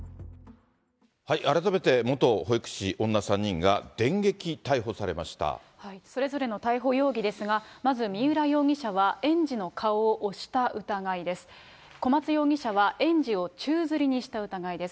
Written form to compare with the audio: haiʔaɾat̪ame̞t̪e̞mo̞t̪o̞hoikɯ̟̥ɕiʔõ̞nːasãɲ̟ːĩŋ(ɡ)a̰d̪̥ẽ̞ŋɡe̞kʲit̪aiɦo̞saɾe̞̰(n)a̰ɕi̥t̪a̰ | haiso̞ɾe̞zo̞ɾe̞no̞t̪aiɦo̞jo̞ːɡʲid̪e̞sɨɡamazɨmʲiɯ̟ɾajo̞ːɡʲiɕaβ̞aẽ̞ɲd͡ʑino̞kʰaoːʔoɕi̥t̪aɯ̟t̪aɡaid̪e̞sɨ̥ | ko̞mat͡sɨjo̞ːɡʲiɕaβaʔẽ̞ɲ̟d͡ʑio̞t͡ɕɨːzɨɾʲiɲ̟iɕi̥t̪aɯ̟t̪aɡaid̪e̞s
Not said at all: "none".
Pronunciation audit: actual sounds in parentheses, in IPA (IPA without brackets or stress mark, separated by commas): ɡ, m